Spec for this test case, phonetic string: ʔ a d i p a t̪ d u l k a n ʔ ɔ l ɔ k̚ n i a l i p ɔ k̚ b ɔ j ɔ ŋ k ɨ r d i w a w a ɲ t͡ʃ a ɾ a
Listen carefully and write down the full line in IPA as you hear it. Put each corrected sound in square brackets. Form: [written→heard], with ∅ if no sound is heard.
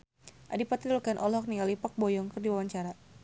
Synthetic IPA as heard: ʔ a d i p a t̪ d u l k a n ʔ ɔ l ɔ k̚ n i a l i p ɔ k̚ b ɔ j ɔ ŋ k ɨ r d i w a w a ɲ t͡ʃ a ɾ a